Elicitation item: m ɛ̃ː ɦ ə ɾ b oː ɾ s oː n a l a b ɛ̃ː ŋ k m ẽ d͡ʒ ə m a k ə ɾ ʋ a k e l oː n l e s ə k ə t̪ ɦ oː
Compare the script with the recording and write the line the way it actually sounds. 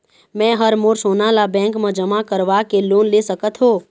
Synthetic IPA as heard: m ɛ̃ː ɦ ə ɾ m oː ɾ s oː n a l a b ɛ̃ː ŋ k m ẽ d͡ʒ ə m a k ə ɾ ʋ a k e l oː n l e s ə k ə t̪ ɦ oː